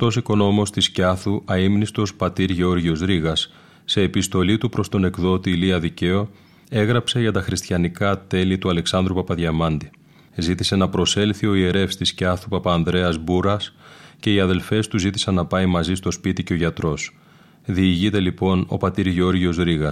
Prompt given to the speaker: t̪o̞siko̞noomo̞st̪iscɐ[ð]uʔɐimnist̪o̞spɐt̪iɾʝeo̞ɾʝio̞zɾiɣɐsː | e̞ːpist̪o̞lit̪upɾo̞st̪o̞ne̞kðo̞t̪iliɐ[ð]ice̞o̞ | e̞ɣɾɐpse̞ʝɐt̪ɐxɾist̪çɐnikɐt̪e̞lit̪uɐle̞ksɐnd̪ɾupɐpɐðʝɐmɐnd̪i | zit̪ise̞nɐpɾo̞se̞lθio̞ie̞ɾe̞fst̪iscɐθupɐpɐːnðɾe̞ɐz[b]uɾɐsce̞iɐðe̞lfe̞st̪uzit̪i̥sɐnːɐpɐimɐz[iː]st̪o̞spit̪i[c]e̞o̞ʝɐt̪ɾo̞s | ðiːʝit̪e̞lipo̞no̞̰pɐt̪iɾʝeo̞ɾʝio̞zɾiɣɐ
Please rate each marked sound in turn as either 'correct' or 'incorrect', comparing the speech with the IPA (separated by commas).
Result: incorrect, correct, correct, incorrect, correct